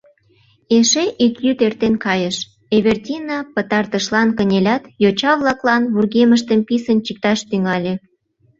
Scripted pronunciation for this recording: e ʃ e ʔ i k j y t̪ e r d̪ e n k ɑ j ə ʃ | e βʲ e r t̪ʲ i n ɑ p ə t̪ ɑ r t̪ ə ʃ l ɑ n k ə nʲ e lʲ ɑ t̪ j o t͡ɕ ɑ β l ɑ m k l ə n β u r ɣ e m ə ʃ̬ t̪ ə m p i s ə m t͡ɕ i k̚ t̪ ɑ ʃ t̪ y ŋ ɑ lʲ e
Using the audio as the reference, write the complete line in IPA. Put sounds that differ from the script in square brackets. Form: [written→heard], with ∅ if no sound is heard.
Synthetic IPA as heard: e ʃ e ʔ i k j y t̪ e r [d̪→t̪] e n k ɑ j ə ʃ | e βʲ e r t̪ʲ i n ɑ p ə t̪ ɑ r t̪ ə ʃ l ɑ n k ə nʲ e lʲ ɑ t̪ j o t͡ɕ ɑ β l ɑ [m→∅] k l [ə→ɑ] n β u r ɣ e m ə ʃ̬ t̪ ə m p i s ə [m→n] t͡ɕ i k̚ t̪ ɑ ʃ t̪ y ŋ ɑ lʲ e